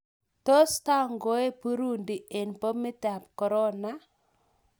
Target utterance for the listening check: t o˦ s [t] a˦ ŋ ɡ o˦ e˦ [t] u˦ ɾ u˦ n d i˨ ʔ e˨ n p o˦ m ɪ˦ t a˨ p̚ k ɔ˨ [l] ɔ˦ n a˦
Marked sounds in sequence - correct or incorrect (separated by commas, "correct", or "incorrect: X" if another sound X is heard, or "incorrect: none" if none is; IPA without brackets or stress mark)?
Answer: correct, incorrect: p, incorrect: ɾ